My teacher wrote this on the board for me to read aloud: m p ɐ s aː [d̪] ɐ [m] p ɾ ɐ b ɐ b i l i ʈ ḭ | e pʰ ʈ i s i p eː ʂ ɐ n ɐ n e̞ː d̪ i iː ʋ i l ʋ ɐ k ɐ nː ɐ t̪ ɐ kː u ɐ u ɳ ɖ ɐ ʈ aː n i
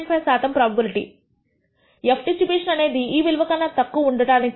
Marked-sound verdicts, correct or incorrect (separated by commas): incorrect, correct